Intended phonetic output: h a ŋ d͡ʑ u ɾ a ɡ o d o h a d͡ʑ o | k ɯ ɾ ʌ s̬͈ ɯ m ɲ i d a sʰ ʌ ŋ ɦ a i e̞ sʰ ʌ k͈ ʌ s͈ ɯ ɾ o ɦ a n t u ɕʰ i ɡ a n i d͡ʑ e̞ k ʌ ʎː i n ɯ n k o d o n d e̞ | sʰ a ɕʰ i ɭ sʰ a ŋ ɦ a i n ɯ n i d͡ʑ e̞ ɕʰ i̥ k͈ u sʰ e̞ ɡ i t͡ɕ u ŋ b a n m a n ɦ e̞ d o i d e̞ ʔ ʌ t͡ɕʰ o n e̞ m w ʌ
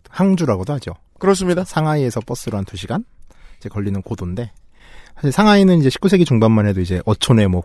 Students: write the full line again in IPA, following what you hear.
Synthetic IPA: h a ŋ d͡ʑ u ɾ a ɡ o d o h a d͡ʑ o | k ɯ ɾ ʌ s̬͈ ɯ m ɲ i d a sʰ a ŋ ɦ a i e̞ sʰ ʌ p͈ ʌ s͈ ɯ ɾ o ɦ a n t u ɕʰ i ɡ a n i d͡ʑ e̞ k ʌ ʎː i n ɯ n k o d o n d e̞ | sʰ a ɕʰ i ɭ sʰ a ŋ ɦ a i n ɯ n i d͡ʑ e̞ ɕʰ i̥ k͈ u sʰ e̞ ɡ i t͡ɕ u ŋ b a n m a n ɦ e̞ d o i d͡ʑ e̞ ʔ ʌ t͡ɕʰ o n e̞ m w ʌ